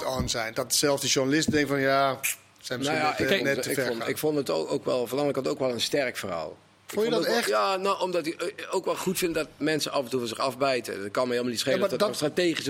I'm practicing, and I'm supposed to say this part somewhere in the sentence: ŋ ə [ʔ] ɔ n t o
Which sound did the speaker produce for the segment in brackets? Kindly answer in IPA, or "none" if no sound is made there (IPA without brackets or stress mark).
k